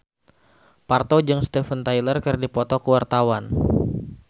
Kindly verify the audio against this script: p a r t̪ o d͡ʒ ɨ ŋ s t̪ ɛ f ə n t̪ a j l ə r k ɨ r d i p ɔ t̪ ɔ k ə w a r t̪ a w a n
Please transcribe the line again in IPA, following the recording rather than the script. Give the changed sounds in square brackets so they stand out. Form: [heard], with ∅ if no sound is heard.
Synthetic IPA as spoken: p a r t̪ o d͡ʒ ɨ ŋ s t̪ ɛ f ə n t̪ a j l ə r k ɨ r d i p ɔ t̪ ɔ k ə w a r t̪ a w a n